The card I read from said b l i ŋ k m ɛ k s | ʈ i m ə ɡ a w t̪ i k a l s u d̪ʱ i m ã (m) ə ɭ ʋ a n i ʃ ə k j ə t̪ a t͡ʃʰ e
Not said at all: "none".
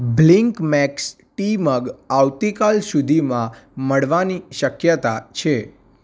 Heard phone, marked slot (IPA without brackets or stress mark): m